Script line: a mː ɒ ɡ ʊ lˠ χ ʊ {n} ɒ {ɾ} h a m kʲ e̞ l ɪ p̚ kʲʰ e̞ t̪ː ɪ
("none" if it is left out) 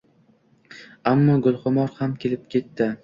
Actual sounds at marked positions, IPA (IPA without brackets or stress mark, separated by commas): m, ɾ